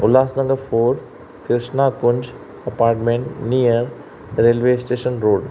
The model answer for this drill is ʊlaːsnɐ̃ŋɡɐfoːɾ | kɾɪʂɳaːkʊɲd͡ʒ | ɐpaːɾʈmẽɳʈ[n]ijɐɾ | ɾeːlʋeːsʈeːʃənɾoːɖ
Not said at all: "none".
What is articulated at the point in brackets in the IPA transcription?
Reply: n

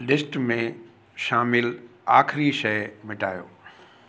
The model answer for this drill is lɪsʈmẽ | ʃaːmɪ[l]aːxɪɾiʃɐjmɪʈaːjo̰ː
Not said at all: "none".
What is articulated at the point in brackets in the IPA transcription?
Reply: l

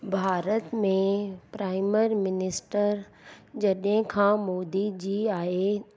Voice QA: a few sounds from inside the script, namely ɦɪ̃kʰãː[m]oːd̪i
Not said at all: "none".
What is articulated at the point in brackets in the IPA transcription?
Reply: m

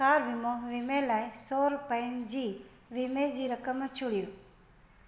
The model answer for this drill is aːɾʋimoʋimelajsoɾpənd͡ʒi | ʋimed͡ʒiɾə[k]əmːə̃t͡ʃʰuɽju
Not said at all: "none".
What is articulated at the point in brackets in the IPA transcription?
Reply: k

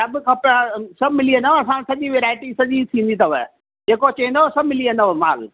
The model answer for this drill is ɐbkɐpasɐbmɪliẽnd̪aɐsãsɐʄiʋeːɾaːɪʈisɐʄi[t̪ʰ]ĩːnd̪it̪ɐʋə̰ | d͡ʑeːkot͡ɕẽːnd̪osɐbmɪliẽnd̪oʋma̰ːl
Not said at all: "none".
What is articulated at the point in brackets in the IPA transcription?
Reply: t̪ʰ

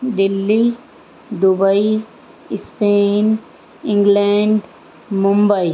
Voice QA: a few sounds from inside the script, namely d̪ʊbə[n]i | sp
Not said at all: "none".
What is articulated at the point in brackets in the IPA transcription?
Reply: none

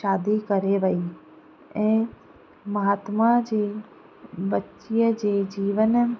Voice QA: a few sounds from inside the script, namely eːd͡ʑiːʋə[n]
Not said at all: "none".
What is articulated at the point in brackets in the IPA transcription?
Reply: n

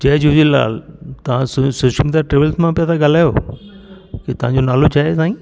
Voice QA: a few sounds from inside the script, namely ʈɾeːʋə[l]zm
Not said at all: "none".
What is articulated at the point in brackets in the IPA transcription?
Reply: l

